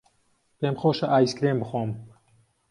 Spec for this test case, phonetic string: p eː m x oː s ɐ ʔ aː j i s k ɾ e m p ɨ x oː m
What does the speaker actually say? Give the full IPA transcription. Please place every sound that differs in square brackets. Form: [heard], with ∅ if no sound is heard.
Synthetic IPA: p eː m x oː [ʃ] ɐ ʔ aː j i s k ɾ e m [b] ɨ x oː m